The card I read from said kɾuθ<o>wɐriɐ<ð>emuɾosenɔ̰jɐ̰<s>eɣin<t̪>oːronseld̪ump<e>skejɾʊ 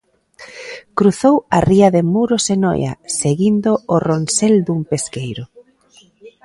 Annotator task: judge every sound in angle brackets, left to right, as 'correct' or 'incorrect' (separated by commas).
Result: correct, correct, correct, incorrect, correct